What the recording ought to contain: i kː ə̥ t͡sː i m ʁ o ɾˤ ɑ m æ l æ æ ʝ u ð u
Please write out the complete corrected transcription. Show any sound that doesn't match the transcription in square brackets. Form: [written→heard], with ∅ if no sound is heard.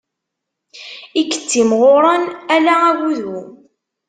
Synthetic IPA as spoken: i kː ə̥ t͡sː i m ʁ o ɾˤ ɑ [m→n] æ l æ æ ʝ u ð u

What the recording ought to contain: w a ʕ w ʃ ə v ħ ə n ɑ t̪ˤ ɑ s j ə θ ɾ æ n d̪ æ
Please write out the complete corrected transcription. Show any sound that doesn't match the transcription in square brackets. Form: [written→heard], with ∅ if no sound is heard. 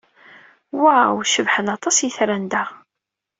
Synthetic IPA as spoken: w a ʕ w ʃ ə v ħ ə n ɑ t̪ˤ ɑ s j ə θ ɾ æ n d̪ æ

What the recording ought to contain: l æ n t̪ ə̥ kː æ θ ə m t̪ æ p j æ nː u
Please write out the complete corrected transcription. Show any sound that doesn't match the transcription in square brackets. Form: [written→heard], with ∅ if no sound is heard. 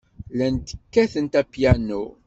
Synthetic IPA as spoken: l æ n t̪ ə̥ kː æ θ ə [m→n] t̪ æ p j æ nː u

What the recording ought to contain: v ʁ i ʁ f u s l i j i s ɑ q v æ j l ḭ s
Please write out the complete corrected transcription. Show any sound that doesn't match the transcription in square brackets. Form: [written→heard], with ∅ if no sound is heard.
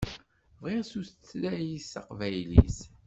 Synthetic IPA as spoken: v ʁ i ʁ [f→s] u s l [i→æ] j i s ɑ q v æ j l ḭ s

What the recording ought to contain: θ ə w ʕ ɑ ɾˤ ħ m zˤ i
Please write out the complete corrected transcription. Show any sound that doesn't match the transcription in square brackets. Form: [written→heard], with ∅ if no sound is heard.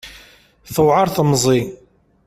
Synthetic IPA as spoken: θ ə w ʕ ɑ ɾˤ [ħ→θ] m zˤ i

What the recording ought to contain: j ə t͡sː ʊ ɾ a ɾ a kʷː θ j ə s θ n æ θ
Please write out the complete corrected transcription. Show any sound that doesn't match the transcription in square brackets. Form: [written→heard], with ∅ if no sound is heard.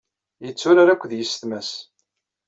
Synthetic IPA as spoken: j ə t͡sː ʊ ɾ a ɾ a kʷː [θ→ð] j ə s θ [n→m] æ [θ→s]

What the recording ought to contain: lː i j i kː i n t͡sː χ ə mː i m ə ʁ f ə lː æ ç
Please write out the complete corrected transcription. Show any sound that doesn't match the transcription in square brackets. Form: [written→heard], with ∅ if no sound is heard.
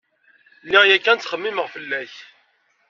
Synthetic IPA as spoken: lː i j [i→æ] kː [i→æ] n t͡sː χ ə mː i m ə ʁ f ə lː æ ç

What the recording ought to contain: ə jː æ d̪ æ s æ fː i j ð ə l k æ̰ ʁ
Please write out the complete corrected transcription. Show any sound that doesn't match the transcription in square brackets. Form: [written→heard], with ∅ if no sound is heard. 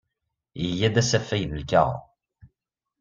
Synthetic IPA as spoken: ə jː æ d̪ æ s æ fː [i→æ] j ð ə l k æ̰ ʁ

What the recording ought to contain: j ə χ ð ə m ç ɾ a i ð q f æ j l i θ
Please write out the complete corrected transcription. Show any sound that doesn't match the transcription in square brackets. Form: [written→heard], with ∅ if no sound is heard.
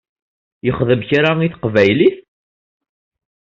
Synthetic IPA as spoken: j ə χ ð ə m ç ɾ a i [ð→θ] q [f→v] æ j l i θ

